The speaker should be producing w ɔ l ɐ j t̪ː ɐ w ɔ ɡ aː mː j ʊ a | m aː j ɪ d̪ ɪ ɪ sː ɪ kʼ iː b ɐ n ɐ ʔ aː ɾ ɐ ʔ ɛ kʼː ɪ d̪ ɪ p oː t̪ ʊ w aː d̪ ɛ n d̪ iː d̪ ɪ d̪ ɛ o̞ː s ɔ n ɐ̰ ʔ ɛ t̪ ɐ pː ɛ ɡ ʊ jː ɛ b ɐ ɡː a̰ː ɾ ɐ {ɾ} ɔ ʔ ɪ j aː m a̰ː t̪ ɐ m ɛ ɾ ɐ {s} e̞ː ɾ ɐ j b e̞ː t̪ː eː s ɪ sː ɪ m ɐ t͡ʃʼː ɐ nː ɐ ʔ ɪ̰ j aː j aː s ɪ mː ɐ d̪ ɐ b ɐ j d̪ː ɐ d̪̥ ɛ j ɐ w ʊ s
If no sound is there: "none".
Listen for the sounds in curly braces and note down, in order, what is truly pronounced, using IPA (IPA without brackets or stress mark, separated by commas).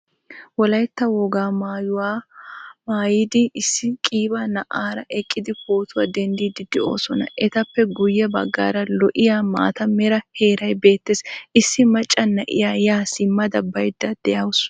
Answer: l, h